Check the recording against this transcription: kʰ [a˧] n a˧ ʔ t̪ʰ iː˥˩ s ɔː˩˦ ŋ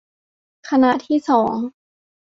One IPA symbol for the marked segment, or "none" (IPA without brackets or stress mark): a˧